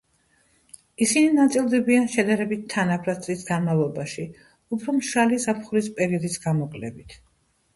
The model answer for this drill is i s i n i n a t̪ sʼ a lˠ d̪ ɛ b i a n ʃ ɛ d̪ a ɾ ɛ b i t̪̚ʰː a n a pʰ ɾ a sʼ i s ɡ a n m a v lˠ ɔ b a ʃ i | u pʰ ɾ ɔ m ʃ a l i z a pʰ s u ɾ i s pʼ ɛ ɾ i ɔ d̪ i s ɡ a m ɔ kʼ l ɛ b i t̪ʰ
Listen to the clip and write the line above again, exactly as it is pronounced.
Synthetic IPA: i s i n i n a t̪ sʼ i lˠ d̪ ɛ b i a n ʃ ɛ d̪ a ɾ ɛ b i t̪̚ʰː a n a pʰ ɾ a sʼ i s ɡ a n m a v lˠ ɔ b a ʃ i | u pʰ ɾ ɔ m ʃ a l i z a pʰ χ u ɾ i s pʼ ɛ ɾ i ɔ d̪ i s ɡ a m ɔ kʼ l ɛ b i t̪ʰ